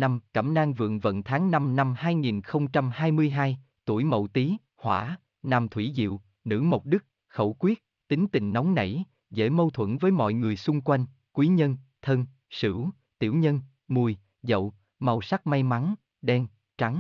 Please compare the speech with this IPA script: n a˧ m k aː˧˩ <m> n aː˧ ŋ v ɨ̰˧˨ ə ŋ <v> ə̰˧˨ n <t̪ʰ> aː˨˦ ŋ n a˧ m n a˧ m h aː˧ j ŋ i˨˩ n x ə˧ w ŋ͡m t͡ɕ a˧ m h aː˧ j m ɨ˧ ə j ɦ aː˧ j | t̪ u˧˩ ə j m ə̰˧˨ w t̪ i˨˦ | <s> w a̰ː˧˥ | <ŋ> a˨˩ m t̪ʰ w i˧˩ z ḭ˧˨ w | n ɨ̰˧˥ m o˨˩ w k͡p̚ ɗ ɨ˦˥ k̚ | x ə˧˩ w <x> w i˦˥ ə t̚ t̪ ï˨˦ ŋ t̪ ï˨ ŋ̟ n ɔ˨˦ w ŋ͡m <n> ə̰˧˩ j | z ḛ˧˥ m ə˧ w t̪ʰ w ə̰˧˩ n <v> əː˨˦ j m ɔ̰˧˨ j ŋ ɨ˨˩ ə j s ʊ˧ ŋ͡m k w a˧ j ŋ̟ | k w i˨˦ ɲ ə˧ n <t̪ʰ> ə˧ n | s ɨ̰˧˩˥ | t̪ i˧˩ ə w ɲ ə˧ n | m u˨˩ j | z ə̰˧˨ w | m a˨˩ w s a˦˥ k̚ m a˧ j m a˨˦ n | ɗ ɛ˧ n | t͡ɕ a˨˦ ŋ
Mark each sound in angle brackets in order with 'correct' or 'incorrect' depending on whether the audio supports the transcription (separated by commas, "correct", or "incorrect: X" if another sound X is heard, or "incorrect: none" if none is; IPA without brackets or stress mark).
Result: correct, correct, correct, incorrect: h, incorrect: n, incorrect: k, correct, correct, correct